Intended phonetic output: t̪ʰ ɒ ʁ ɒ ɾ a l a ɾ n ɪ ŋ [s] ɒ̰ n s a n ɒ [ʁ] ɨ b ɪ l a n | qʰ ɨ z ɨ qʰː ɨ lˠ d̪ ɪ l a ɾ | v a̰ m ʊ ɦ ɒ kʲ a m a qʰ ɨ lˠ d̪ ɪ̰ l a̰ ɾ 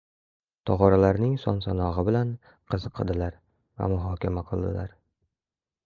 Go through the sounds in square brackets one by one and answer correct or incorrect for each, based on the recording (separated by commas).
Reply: correct, correct